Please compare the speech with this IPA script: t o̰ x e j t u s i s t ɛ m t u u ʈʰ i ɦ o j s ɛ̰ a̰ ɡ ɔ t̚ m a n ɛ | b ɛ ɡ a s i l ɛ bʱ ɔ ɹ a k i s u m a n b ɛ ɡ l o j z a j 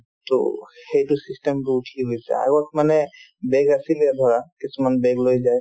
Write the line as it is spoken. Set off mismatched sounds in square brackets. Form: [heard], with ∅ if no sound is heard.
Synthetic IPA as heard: t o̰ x e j t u s i s t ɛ m t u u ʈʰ i ɦ o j s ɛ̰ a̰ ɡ ɔ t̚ m a n ɛ | b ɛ ɡ a s i l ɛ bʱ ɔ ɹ a k i s u m a n b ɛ ɡ l o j z a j